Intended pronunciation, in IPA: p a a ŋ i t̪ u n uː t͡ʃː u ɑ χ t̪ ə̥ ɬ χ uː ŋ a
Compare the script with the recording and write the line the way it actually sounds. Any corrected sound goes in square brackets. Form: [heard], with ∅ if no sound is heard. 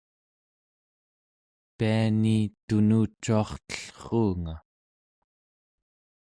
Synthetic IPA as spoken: p [i] a [n] i t̪ u n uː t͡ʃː u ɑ χ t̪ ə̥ ɬ χ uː ŋ a

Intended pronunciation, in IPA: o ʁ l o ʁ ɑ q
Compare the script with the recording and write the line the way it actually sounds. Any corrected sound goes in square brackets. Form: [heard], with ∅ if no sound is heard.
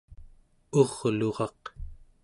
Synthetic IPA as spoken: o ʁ l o ʁ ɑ q

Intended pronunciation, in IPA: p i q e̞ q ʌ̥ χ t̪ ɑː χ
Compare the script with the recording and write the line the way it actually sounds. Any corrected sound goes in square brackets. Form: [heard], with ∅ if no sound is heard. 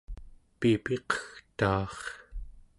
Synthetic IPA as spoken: p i [p] e̞ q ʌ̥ [x] t̪ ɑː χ

